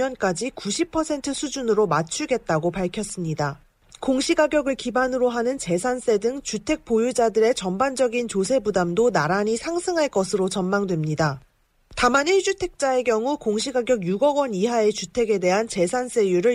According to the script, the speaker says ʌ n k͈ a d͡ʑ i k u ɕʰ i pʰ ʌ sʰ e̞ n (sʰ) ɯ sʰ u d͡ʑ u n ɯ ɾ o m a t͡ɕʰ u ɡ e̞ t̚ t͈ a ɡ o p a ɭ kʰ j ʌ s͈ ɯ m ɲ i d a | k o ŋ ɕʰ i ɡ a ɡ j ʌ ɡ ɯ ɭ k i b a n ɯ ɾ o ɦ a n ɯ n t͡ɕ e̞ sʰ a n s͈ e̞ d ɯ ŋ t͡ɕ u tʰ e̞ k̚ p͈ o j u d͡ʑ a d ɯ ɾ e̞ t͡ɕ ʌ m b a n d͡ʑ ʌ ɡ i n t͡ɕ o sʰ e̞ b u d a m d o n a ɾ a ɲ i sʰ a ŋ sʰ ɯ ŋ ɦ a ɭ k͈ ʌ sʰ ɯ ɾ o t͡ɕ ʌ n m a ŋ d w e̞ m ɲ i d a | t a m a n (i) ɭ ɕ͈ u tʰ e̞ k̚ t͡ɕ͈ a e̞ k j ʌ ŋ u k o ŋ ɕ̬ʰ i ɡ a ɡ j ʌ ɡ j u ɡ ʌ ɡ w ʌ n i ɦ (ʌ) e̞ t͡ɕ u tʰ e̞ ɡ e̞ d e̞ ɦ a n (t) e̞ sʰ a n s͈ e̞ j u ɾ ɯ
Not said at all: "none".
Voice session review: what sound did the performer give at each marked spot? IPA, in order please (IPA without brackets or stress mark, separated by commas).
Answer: tʰ, i, a, t͡ɕ